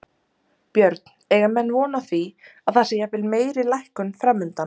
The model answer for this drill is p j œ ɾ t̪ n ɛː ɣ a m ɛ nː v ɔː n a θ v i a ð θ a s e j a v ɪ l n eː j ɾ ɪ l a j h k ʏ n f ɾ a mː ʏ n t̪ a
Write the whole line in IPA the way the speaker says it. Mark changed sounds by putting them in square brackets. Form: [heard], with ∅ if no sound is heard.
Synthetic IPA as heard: p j œ ɾ t̪ n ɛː ɣ a m ɛ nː v ɔː n a θ v i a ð θ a s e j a v ɪ l [m] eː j ɾ ɪ l a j h k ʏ n f ɾ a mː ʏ n t̪ a